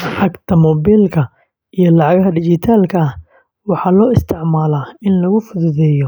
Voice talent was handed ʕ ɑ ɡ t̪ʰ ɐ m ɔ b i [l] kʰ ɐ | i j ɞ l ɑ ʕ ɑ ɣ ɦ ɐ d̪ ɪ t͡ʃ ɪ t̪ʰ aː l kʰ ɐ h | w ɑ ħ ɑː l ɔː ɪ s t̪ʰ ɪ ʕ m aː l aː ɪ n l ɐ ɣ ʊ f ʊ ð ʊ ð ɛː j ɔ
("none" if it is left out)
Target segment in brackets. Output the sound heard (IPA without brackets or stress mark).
l